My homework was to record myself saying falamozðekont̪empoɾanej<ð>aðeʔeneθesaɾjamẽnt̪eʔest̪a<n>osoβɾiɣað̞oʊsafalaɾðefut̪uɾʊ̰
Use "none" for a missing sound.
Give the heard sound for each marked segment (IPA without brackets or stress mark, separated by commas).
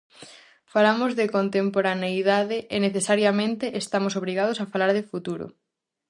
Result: ð, m